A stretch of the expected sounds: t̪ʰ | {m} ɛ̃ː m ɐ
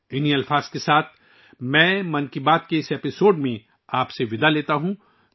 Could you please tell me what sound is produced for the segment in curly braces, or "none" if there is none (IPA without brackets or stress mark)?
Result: m